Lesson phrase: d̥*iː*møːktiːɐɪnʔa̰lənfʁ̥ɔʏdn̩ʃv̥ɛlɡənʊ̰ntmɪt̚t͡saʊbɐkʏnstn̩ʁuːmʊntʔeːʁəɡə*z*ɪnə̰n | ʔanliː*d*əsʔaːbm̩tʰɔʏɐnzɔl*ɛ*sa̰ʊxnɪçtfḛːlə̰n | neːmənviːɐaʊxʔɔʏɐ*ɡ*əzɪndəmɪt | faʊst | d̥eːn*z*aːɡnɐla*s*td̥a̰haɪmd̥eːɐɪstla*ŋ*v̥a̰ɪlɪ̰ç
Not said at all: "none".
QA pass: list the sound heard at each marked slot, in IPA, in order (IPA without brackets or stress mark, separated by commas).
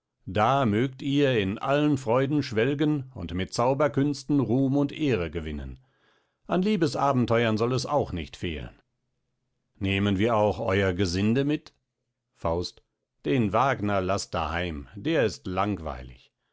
aː, v, b, ɛ, ɡ, v, s, ŋ